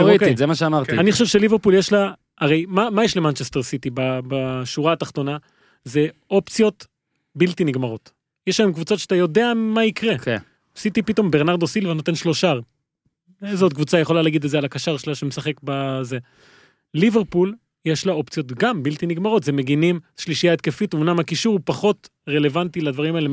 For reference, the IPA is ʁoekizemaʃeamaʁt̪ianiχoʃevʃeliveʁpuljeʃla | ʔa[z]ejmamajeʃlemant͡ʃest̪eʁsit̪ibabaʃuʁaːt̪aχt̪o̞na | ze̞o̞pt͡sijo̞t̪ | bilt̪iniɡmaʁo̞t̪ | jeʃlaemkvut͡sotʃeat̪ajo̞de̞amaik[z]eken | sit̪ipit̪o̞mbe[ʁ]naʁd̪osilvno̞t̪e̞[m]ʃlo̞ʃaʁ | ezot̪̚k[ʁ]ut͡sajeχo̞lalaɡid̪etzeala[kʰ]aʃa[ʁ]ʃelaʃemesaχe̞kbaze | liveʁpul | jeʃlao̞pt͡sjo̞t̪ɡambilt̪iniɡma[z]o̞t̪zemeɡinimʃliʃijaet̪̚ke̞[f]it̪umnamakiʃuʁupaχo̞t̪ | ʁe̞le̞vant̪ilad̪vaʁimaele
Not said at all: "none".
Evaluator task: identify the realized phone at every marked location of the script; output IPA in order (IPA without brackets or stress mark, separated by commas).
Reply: ʁ, ʁ, ʁ, n, v, k, ʁ, ʁ, f